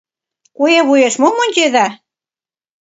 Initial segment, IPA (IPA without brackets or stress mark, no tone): k